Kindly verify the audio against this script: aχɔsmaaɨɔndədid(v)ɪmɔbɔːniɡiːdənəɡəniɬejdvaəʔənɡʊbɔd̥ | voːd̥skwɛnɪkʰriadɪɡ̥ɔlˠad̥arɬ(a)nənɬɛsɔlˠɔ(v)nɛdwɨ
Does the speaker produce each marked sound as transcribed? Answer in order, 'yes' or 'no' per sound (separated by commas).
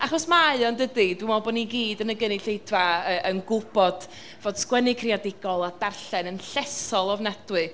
no, no, yes